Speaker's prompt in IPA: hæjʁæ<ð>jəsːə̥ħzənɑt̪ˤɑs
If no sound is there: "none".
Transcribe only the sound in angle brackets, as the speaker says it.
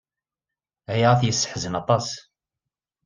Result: θ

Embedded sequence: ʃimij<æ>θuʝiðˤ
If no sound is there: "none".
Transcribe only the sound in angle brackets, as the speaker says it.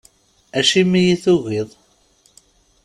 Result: i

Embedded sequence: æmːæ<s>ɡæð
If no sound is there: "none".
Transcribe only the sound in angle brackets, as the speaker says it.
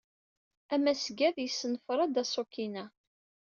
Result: s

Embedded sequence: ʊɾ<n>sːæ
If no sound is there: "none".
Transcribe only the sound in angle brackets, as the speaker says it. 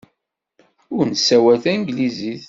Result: n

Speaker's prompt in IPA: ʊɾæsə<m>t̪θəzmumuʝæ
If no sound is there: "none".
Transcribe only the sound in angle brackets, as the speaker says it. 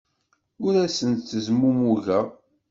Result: n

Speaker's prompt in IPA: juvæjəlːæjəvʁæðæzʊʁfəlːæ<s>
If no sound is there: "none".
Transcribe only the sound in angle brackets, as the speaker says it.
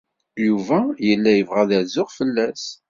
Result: s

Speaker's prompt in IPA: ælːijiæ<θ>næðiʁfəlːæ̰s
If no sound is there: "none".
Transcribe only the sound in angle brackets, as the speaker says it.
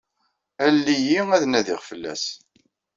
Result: ð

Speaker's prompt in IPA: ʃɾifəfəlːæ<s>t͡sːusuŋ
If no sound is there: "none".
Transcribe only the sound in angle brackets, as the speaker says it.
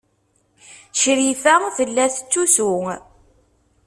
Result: θ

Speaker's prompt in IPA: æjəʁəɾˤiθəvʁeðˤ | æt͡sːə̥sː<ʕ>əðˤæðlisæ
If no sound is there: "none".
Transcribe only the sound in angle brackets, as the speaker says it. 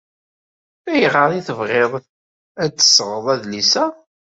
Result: ʁ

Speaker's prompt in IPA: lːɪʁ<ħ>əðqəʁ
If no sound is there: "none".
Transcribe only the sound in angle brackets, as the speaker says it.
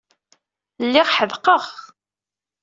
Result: ħ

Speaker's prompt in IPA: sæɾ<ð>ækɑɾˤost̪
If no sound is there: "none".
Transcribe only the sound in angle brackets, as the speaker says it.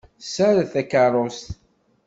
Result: θ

